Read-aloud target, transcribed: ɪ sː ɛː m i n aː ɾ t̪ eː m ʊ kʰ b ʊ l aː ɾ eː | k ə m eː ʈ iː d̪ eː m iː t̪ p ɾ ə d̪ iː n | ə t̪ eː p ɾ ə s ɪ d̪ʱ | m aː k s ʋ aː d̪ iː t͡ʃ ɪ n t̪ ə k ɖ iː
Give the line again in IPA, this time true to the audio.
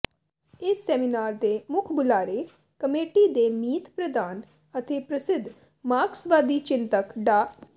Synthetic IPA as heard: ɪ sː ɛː m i n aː ɾ d̪ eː m ʊ kʰ b ʊ l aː ɾ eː | k ə m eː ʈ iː d̪ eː m iː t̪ p ɾ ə d̪ aː n | ə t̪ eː p ɾ ə s ɪ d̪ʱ | m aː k s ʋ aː d̪ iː t͡ʃ ɪ n t̪ ə k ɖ aː

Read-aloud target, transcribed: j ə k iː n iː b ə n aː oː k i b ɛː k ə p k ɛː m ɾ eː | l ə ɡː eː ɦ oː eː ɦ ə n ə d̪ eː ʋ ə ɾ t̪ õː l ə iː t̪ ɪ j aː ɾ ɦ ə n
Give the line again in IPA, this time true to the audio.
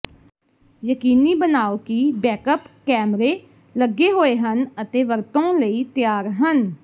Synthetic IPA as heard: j ə k iː n iː b ə n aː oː k i b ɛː k ə p k ɛː m ɾ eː | l ə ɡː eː ɦ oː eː ɦ ə n ə t̪ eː ʋ ə ɾ t̪ õː l ə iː t̪ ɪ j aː ɾ ɦ ə n

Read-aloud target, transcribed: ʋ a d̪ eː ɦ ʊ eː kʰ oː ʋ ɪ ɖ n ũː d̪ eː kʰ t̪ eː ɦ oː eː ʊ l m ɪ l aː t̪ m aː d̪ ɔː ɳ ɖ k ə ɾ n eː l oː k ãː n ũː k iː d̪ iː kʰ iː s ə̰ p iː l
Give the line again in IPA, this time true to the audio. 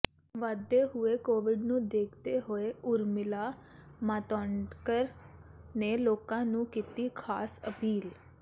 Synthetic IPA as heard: ʋ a d̪ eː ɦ ʊ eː k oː ʋ ɪ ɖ n ũː d̪ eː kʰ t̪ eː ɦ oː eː ʊ ɾ m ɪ l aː m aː t̪ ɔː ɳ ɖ k ə ɾ n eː l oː k ãː n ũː k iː t̪ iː kʰ aː s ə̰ p iː l

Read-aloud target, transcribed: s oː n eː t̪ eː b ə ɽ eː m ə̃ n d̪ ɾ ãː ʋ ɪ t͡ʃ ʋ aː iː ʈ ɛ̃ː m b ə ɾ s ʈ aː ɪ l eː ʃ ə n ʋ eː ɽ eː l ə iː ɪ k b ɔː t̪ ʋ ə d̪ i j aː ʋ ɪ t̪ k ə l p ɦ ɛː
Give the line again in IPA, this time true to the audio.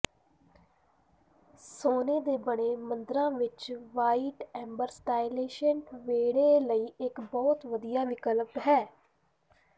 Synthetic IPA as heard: s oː n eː d̪ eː b ə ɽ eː m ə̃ n d̪ ɾ ãː ʋ ɪ t͡ʃ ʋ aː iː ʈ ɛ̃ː m b ə ɾ s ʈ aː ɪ l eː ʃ ə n ʋ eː ɽ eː l ə iː ɪ k b ɔː t̪ ʋ ə d̪ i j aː ʋ ɪ k ə l p ɦ ɛː

